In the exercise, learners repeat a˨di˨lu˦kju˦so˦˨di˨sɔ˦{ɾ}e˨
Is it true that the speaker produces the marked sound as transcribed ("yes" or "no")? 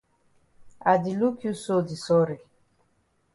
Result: yes